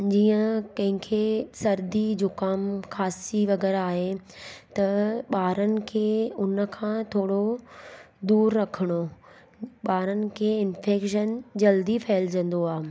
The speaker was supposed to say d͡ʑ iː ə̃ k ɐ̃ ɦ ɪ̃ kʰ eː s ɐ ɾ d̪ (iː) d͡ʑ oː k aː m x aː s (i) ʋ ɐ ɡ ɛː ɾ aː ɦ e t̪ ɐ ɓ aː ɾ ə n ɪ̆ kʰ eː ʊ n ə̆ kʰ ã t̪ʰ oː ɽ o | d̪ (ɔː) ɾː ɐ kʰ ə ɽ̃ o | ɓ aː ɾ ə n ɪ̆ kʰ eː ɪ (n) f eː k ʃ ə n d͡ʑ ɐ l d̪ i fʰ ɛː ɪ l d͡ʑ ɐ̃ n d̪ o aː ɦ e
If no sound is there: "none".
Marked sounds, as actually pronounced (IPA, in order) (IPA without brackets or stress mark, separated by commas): i, i, uː, n